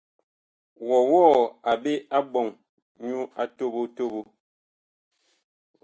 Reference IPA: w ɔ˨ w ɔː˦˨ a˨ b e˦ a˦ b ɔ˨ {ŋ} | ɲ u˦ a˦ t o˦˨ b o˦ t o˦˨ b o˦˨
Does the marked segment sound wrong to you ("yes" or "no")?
no